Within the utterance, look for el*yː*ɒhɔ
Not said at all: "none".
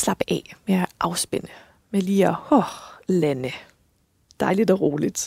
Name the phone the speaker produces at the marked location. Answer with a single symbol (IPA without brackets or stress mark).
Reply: iː